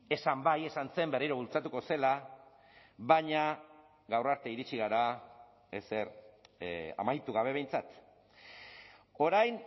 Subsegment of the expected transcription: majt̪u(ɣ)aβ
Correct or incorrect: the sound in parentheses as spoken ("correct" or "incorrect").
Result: correct